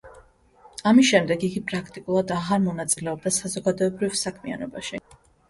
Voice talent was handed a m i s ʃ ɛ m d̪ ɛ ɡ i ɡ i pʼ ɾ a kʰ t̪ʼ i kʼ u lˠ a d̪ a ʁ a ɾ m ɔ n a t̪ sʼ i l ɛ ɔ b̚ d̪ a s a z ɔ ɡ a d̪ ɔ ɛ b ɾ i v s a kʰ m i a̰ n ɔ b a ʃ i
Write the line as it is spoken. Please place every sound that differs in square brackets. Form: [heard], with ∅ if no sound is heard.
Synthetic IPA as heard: a m i s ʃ ɛ m d̪ ɛ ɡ i ɡ i pʼ ɾ a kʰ t̪ʼ i kʼ u lˠ a d̪ a ʁ a ɾ m ɔ n a t̪ sʼ i l ɛ ɔ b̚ d̪ a s a z ɔ ɡ a d̪ ɔ ɛ b ɾ i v s a kʰ m i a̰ n ɔ b a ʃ i